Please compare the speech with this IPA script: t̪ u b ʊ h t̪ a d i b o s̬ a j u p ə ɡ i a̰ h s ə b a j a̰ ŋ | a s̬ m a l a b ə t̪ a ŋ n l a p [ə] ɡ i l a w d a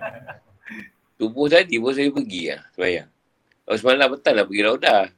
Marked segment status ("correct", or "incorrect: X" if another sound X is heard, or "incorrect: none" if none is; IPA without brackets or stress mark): correct